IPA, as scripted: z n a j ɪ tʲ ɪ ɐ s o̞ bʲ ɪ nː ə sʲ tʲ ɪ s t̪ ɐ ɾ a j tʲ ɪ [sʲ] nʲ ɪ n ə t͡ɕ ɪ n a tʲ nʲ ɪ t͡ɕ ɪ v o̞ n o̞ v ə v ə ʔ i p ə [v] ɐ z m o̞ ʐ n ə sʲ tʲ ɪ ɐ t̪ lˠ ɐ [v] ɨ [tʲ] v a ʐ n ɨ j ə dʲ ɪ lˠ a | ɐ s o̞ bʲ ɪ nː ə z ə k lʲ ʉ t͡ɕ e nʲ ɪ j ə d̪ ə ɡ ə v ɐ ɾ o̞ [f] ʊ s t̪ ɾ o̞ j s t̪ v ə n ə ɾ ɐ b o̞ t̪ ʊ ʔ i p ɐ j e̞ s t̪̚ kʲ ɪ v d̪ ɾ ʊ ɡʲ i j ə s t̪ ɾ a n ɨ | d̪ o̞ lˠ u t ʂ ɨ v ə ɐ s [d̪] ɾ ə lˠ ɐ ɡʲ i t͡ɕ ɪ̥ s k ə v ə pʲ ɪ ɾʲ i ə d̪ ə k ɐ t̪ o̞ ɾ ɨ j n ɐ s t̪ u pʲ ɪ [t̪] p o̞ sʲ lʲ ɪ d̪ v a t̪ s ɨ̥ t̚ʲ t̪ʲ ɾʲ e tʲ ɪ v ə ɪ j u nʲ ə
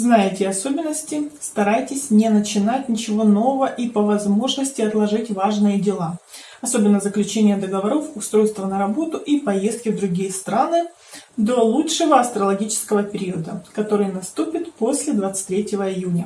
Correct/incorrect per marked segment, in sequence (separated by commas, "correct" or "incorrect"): correct, correct, incorrect, correct, correct, incorrect, correct